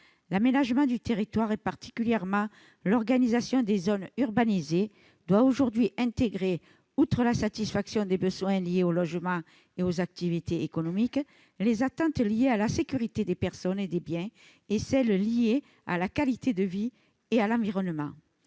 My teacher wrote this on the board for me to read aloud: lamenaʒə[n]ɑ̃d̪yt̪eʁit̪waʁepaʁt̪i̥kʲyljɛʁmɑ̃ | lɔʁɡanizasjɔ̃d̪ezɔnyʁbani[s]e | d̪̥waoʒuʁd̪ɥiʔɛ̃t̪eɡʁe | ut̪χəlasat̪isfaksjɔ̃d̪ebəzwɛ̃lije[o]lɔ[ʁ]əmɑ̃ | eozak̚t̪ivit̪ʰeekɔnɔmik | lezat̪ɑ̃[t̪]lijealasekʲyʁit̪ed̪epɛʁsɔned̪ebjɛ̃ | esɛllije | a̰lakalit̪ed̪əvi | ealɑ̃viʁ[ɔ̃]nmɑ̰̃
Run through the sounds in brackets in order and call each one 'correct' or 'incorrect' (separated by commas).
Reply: incorrect, incorrect, correct, incorrect, correct, incorrect